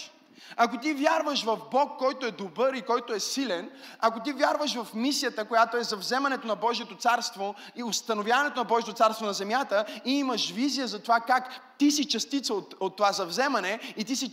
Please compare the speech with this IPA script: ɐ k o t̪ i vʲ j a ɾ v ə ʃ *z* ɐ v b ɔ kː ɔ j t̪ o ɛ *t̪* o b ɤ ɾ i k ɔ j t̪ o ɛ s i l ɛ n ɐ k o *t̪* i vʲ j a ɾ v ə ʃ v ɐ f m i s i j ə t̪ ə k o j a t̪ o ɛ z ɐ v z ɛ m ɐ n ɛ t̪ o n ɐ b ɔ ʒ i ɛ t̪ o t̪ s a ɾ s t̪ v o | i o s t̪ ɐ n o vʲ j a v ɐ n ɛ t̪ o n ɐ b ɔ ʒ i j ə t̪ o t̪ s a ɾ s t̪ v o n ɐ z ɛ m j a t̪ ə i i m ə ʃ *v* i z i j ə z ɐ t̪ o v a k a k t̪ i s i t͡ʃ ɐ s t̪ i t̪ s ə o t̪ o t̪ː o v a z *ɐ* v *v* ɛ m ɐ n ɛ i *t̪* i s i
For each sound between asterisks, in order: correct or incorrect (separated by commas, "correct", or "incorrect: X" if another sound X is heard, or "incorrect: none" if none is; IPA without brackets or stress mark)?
incorrect: v, incorrect: d̪, correct, correct, correct, incorrect: z, correct